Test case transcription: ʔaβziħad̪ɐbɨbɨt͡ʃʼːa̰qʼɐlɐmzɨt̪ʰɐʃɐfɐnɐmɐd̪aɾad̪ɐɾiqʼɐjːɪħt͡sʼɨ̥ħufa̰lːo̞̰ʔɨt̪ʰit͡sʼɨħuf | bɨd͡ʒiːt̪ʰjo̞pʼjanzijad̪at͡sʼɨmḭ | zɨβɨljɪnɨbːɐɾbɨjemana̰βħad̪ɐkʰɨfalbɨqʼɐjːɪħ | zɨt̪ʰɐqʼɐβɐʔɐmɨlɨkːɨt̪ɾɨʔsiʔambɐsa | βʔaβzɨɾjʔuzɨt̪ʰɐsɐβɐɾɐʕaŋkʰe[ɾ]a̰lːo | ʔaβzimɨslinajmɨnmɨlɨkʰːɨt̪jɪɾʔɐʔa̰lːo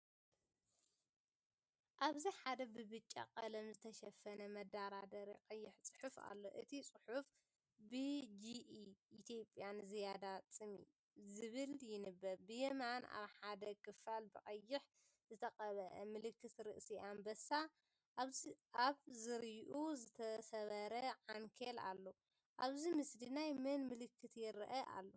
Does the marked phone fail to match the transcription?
yes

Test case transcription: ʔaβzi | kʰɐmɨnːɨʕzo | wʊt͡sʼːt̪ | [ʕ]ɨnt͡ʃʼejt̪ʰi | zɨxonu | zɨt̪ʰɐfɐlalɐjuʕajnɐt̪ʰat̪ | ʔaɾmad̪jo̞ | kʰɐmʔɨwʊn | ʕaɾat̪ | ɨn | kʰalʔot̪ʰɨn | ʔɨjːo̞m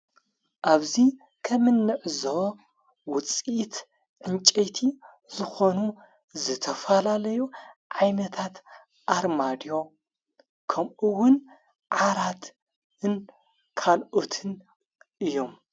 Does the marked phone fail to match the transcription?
no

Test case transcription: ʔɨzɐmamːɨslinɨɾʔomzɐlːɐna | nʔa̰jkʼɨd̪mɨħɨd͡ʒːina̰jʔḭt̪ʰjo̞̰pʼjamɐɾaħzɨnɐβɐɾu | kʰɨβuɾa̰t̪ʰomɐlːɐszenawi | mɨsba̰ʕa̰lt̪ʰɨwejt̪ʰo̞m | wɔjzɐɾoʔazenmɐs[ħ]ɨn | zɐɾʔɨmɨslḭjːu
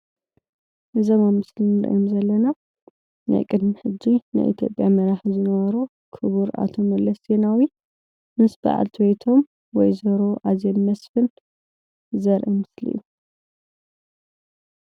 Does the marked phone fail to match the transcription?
yes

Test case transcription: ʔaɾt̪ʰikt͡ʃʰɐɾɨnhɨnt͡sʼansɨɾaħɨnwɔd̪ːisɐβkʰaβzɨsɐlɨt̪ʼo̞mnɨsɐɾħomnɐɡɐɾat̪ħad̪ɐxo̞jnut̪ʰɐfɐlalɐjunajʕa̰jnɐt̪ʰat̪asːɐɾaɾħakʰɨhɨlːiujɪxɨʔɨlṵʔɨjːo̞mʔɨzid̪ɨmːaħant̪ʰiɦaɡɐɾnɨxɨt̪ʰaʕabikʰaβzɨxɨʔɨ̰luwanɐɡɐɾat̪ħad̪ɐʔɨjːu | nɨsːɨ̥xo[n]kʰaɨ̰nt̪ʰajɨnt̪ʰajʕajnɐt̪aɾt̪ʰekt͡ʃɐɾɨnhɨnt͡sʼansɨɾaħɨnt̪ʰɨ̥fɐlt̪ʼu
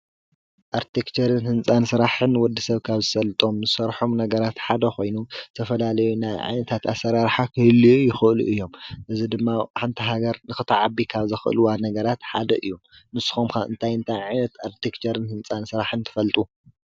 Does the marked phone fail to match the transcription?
yes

